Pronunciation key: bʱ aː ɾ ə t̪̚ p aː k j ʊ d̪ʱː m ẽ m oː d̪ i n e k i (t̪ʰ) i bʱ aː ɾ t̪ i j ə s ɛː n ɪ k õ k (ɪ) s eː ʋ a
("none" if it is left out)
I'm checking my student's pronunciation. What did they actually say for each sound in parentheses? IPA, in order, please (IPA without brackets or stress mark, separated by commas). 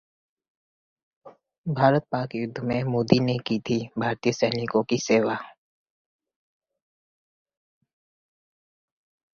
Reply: t̪ʰ, i